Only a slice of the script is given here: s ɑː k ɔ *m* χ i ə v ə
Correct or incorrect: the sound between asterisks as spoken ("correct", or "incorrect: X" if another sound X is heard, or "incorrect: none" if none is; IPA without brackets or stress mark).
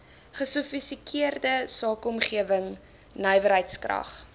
correct